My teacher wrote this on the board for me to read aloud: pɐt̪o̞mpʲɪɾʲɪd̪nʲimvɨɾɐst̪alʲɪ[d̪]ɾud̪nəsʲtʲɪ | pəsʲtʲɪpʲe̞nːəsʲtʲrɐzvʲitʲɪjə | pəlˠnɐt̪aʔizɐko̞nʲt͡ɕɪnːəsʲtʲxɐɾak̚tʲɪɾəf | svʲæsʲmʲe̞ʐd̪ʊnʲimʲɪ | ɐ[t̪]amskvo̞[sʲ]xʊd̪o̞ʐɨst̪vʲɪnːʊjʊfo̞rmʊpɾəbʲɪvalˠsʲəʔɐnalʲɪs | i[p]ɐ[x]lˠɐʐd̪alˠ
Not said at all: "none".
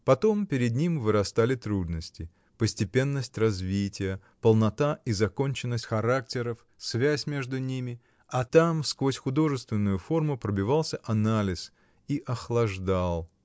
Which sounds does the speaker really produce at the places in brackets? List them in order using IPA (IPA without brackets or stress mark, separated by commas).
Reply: t̪, t̪, sʲ, ʔ, x